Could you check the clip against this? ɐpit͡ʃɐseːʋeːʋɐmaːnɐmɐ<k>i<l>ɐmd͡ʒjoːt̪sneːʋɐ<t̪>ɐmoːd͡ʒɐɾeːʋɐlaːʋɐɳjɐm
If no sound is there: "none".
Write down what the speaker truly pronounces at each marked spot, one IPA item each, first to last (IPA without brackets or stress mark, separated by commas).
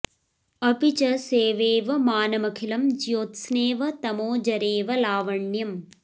kʰ, l, t̪